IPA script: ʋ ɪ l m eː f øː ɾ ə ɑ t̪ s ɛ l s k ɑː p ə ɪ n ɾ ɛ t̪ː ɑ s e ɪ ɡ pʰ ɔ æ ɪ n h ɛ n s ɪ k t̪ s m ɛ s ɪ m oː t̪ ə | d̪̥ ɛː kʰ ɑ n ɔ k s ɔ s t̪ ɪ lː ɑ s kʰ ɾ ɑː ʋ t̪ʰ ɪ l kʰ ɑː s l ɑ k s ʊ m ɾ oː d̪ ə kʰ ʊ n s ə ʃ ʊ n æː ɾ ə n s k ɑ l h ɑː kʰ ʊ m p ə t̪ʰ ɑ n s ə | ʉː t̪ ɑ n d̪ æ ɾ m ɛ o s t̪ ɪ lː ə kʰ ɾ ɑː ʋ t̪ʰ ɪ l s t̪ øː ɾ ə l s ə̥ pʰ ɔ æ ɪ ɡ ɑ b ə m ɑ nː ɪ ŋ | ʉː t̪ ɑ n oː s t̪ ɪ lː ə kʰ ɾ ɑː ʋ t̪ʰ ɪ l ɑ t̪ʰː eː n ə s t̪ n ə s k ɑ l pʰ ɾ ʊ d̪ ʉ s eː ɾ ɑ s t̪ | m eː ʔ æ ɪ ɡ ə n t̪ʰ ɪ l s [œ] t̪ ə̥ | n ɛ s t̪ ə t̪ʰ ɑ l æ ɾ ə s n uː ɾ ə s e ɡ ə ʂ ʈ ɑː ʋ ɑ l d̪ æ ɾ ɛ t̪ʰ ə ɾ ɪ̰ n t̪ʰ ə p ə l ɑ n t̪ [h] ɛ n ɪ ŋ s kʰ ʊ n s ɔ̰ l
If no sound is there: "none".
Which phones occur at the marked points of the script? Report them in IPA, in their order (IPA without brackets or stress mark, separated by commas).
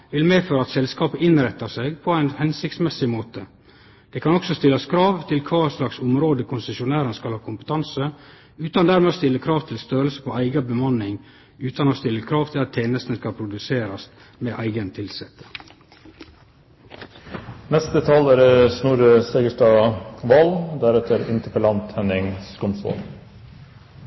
ɛ, h